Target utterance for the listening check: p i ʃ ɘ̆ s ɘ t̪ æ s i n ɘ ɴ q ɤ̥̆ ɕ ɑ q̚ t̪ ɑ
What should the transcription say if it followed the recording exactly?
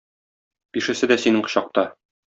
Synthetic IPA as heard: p i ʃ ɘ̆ s ɘ d̪ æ s i n ɘ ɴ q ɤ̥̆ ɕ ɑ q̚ t̪ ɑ